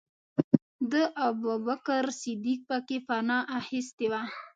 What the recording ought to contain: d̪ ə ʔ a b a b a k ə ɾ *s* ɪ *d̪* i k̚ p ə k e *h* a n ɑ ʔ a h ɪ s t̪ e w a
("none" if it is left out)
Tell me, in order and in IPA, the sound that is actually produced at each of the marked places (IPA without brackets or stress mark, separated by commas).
s, d̪, f